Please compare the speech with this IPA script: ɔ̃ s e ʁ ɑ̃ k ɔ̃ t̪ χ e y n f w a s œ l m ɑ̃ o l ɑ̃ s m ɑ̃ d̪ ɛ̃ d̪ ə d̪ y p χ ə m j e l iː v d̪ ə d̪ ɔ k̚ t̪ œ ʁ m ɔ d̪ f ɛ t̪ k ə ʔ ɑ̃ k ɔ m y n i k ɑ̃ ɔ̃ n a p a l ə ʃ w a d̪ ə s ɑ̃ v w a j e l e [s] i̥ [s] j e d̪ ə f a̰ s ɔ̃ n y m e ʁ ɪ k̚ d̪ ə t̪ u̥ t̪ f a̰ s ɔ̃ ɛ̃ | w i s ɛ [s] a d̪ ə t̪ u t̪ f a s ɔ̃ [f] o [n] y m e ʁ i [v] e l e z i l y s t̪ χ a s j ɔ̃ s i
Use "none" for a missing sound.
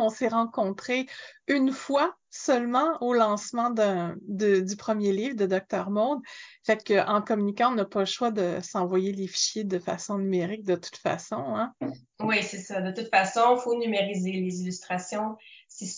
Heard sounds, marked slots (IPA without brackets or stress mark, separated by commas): f, ʃ, s, f, n, z